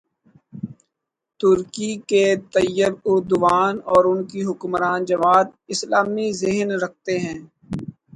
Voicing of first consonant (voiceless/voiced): voiceless